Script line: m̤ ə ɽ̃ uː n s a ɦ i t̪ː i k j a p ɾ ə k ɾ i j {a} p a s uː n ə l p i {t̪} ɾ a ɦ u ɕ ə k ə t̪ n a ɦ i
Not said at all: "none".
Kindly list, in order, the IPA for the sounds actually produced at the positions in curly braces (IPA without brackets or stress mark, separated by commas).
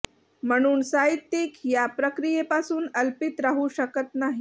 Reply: e, t̪